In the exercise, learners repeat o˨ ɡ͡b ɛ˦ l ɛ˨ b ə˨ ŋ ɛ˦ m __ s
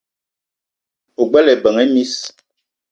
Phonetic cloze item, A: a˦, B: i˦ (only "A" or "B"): B